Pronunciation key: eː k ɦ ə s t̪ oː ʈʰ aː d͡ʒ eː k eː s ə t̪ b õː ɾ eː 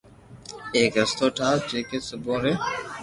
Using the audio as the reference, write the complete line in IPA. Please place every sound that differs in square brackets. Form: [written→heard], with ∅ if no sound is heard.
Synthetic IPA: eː k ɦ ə s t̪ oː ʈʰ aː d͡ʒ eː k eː s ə [t̪→∅] b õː ɾ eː